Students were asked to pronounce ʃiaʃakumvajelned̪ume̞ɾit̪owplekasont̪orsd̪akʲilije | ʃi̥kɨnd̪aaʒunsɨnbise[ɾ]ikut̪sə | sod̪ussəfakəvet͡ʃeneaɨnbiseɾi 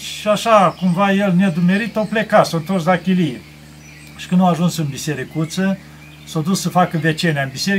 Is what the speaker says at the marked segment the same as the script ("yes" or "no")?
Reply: yes